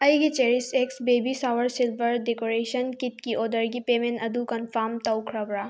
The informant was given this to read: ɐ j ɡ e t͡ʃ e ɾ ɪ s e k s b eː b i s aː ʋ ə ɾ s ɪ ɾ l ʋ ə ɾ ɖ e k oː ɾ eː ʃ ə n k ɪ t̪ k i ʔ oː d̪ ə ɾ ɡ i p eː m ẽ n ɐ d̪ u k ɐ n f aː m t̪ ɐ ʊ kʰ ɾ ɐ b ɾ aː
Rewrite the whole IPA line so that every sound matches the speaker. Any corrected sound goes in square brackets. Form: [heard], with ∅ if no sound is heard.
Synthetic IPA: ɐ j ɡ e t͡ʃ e ɾ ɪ s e k s b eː b i s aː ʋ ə ɾ s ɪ [∅] l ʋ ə ɾ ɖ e k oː ɾ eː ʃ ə n k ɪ t̪ k i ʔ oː d̪ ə ɾ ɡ i p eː m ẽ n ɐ d̪ u k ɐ n f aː m t̪ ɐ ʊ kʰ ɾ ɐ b ɾ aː